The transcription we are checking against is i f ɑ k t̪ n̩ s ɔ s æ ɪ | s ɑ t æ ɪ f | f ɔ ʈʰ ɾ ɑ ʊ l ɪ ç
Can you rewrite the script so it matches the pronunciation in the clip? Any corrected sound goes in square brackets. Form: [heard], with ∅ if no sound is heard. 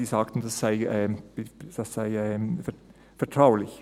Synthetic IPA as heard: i [s] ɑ k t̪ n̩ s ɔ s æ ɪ | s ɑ [s] æ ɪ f | f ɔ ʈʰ ɾ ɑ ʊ l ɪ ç